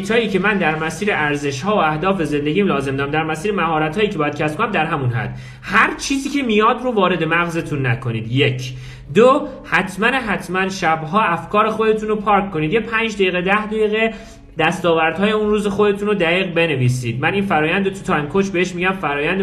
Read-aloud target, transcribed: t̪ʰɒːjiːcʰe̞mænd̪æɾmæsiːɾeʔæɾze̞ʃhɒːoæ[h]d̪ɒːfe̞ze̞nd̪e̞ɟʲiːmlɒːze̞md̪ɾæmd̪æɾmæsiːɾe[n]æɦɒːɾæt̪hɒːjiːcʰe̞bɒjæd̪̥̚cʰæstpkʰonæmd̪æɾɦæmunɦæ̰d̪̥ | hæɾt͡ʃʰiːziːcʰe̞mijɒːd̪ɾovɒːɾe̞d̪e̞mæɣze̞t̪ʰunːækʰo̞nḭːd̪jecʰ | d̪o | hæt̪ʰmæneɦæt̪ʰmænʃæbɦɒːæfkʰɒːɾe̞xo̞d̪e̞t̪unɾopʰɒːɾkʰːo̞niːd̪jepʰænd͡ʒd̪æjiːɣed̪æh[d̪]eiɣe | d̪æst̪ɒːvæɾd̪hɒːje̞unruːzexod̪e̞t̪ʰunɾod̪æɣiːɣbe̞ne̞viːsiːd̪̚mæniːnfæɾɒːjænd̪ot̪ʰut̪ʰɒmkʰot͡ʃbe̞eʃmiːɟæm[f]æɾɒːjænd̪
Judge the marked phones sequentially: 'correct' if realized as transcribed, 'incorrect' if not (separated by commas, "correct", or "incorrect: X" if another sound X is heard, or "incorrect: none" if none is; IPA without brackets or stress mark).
correct, incorrect: m, correct, correct